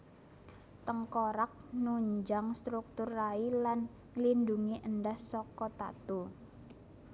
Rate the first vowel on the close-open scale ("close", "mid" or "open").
mid